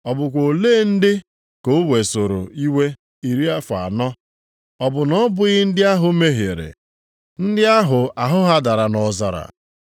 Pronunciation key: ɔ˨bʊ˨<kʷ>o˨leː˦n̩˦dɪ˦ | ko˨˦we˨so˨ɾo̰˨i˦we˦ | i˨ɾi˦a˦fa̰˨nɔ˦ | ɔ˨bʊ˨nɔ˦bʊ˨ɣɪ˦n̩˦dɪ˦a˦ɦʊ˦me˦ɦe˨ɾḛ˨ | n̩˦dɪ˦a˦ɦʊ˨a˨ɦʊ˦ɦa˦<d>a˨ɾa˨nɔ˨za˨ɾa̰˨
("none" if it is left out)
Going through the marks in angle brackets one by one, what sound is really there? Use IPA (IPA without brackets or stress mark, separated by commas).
kʷ, d